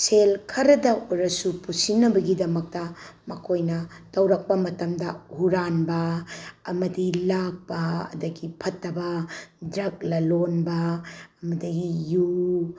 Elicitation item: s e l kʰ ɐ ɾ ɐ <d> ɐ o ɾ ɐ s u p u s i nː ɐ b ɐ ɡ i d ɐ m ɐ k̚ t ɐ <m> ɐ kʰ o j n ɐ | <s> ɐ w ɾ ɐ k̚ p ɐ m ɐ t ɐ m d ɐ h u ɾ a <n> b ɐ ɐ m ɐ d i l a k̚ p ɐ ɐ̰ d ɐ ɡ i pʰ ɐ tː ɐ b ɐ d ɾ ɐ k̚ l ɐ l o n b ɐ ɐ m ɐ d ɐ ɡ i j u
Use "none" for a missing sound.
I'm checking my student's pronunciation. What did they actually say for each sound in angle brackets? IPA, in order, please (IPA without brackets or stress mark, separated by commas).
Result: d, m, t, n